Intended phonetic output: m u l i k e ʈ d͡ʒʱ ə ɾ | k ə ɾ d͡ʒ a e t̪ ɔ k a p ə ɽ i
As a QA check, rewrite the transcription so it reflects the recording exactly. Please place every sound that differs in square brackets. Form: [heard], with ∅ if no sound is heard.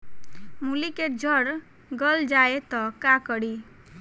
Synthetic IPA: m u l i k e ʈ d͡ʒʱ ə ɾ | [ɡ] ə [l] d͡ʒ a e t̪ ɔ k a [k] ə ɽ i